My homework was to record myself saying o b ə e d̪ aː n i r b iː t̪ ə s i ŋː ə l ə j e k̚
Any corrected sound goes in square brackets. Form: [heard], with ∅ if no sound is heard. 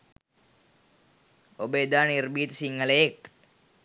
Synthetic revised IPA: o b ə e d̪ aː n i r b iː t̪ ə s i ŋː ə l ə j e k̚